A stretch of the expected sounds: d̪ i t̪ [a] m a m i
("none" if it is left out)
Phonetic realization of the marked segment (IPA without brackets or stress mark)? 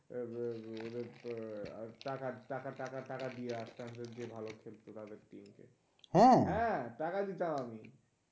a